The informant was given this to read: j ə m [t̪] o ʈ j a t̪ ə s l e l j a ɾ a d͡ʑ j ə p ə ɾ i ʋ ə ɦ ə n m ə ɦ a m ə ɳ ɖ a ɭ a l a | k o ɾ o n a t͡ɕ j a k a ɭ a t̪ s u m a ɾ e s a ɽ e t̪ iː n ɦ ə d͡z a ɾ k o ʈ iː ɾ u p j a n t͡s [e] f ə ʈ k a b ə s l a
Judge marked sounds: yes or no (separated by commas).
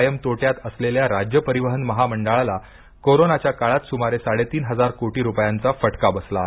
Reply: yes, no